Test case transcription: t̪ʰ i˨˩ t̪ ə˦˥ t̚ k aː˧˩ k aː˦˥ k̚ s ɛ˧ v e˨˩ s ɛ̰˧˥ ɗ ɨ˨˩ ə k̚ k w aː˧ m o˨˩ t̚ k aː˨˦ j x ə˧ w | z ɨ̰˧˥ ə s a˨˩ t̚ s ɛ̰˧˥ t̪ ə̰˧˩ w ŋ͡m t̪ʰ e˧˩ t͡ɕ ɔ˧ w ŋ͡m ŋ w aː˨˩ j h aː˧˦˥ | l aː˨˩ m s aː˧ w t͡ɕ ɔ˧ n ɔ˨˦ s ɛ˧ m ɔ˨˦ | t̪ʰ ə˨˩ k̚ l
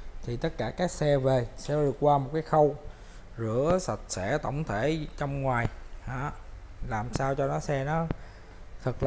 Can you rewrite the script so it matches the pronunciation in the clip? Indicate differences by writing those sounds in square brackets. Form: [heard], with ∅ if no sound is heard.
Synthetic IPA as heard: t̪ʰ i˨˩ t̪ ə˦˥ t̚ k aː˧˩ k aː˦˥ k̚ s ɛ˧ v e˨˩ s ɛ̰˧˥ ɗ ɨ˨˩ ə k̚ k w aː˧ m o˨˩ t̚ k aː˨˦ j x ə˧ w | z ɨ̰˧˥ ə s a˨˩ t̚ s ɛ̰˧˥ t̪ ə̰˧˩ w ŋ͡m t̪ʰ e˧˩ t͡ɕ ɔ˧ w ŋ͡m ŋ w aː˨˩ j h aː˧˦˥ | l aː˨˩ m s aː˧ w t͡ɕ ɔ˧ n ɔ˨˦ s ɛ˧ [n] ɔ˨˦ | t̪ʰ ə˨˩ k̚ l